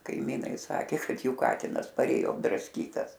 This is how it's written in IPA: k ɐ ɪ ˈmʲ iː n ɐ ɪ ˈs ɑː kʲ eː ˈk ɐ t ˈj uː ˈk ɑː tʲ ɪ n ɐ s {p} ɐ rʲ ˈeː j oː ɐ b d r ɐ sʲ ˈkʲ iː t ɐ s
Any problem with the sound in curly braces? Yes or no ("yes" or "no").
no